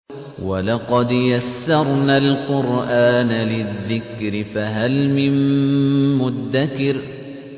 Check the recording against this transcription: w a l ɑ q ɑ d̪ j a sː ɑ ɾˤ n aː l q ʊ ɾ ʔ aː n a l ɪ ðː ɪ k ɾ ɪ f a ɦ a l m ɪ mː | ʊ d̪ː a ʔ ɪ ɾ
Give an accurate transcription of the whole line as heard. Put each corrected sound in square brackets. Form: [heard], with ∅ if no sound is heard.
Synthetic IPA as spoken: w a l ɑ q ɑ d̪ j a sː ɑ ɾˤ n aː l q ʊ ɾ ʔ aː n a l ɪ ðː ɪ k ɾ ɪ f a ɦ a l m ɪ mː | ʊ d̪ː a [k] ɪ ɾ